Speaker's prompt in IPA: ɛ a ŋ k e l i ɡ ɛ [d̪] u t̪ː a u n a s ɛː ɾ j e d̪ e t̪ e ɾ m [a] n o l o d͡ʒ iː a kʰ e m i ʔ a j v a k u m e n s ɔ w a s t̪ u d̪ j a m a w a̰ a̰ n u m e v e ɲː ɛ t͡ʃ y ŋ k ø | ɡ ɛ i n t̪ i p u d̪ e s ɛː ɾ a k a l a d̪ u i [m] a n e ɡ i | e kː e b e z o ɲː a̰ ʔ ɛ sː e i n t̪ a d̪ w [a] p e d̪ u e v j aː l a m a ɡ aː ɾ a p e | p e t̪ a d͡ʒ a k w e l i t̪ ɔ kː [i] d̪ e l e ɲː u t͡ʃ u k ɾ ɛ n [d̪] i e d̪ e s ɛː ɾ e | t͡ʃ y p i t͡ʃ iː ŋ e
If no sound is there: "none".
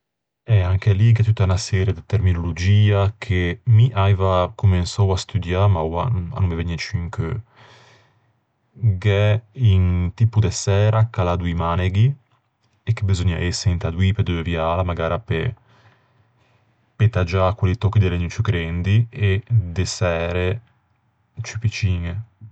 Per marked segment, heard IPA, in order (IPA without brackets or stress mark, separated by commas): t̪, i, m, i, i, d̪